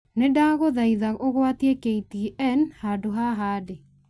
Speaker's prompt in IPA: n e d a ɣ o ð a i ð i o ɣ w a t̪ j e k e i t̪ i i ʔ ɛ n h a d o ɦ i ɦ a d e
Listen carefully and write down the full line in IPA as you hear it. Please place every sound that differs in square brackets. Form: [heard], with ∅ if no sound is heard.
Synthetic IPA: n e d a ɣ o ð a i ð [a] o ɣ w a t̪ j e k e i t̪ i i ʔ ɛ n h a d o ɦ [a] ɦ a d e